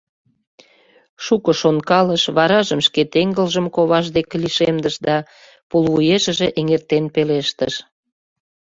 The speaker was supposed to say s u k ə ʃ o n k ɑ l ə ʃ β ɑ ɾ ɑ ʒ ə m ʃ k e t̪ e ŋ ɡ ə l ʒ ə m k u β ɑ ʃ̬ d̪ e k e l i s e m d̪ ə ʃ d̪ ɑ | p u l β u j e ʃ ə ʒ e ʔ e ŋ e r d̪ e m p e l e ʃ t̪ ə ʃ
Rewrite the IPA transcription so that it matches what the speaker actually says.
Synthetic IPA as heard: ʃ u k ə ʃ o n k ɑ l ə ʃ β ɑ ɾ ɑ ʒ ə m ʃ k e t̪ e ŋ ɡ ə l ʒ ə m k o β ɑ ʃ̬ d̪ e k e l i ʃ e m d̪ ə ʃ d̪ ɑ | p u l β u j e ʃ ə ʒ e ʔ e ŋ e r t̪ e n p e l e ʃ t̪ ə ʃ